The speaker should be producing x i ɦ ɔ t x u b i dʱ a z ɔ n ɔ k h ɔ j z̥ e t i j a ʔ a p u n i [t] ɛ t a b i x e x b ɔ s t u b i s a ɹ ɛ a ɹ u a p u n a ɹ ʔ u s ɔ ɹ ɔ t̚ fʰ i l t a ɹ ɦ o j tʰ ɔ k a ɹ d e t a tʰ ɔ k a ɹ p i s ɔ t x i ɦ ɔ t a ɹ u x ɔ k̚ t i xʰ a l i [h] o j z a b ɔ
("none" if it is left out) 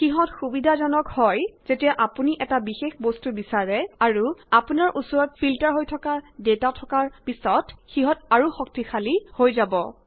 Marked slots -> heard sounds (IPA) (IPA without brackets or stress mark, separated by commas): ʔ, h